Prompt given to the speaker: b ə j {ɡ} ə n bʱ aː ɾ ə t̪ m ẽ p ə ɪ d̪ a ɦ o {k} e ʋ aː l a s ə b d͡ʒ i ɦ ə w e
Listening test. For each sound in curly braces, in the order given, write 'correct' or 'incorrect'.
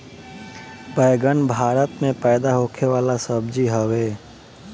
correct, incorrect: kʰ

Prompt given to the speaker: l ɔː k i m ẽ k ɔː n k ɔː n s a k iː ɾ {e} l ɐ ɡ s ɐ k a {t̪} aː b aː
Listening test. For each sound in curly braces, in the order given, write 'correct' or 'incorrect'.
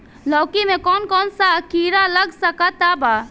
incorrect: a, correct

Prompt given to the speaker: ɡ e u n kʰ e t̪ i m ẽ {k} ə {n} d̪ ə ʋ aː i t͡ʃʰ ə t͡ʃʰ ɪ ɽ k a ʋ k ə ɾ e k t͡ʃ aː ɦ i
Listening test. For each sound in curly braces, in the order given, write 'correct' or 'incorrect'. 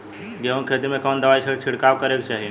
correct, correct

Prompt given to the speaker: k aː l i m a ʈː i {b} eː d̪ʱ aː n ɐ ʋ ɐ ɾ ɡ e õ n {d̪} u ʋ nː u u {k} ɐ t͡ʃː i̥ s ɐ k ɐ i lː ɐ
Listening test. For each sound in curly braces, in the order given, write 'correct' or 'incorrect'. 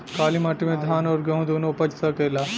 incorrect: m, correct, incorrect: p

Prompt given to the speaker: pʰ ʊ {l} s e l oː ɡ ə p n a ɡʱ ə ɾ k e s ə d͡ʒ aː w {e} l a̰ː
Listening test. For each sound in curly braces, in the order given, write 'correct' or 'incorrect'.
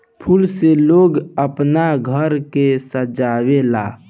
correct, correct

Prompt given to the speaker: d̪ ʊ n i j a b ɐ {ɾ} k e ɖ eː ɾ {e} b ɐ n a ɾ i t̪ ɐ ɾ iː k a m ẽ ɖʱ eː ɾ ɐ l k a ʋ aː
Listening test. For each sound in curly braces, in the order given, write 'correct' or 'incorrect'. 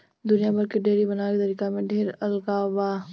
correct, incorrect: i

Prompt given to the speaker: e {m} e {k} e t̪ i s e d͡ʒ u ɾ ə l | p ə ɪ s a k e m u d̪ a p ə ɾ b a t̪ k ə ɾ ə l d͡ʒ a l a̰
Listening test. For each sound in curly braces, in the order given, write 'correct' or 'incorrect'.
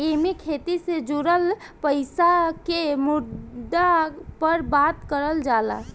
correct, incorrect: kʰ

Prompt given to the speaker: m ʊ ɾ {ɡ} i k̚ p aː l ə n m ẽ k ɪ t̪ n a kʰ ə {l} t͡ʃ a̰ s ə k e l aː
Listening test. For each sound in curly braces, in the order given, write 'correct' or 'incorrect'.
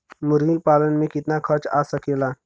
correct, incorrect: ɾ

